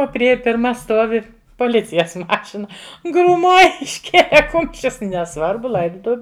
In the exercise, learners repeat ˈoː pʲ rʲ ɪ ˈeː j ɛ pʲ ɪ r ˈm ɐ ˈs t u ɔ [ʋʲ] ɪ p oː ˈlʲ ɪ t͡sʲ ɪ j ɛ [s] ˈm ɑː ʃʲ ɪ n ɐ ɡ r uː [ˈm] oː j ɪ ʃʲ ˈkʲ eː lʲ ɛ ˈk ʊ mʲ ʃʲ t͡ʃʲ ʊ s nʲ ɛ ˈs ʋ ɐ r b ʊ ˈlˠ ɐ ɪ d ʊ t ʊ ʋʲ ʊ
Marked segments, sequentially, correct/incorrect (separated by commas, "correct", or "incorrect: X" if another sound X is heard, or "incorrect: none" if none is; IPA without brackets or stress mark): correct, correct, correct